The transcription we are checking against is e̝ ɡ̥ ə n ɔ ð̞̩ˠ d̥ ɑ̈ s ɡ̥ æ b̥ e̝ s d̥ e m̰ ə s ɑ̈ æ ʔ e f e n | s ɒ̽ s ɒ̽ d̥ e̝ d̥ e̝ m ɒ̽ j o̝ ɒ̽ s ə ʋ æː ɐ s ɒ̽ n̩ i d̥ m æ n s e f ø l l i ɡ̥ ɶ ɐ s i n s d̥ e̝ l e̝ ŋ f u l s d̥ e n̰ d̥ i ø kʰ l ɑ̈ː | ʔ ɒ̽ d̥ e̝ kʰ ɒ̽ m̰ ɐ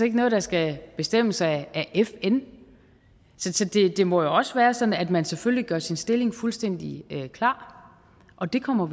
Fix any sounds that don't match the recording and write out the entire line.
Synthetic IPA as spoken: e̝ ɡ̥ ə n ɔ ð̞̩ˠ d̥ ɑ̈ s ɡ̥ æ b̥ e̝ s d̥ e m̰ ə s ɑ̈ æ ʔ e f e n | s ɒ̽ s ɒ̽ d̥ e̝ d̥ e̝ m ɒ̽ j o̝ ɒ̽ s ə ʋ æː ɐ s ɒ̽ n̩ æ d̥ m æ n s e f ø l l i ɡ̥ ɶ ɐ s i n s d̥ e̝ l e̝ ŋ f u l s d̥ e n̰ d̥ i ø kʰ l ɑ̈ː | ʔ ɒ̽ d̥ e̝ kʰ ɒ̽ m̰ ɐ